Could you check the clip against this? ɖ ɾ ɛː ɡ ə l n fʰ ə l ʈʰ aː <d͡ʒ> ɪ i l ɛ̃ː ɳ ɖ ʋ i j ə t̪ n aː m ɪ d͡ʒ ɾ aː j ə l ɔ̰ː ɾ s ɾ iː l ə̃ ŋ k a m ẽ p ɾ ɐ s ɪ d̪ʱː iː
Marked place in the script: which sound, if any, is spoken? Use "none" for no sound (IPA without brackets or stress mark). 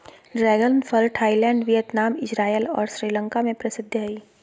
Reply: none